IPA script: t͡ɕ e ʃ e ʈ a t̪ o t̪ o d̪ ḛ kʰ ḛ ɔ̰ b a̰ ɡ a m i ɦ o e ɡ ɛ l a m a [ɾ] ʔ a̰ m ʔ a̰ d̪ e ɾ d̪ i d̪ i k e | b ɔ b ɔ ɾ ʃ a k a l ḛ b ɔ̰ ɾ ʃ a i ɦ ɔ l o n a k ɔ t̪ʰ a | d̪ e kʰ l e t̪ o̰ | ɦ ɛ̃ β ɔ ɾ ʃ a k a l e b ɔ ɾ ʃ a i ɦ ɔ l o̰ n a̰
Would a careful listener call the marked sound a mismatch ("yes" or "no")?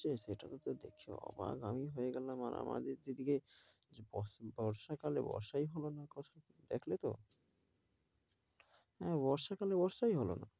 no